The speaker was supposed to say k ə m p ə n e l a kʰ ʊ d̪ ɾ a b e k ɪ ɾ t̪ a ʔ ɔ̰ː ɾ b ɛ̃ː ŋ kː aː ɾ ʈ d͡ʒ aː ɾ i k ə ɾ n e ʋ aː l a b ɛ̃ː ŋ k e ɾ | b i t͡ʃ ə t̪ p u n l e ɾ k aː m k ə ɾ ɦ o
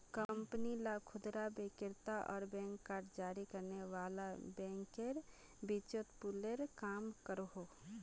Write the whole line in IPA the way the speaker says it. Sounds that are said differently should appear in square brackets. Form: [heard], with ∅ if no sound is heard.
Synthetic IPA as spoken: k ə m p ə n [i] l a kʰ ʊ d̪ ɾ a b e k ɪ ɾ t̪ a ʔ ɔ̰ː ɾ b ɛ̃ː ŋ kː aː ɾ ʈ d͡ʒ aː ɾ i k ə ɾ n e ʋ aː l a b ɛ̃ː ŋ k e ɾ | b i t͡ʃ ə t̪ p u [∅] l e ɾ k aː m k ə ɾ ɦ o